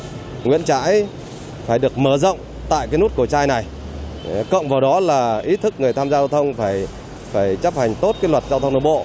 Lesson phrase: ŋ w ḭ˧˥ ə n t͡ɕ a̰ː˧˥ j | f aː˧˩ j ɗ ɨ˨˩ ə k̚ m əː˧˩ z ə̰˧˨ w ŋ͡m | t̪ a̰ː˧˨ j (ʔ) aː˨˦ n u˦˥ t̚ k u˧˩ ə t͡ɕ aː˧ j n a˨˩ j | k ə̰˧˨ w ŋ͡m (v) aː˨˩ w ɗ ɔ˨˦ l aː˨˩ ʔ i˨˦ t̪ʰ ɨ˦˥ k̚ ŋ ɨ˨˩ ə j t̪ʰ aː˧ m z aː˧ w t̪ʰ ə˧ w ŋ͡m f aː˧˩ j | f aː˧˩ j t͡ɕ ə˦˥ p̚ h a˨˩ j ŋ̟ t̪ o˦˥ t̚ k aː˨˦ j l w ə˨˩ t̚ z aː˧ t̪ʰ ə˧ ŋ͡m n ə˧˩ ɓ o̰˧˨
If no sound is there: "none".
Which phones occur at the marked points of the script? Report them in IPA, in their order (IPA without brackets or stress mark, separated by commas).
k, v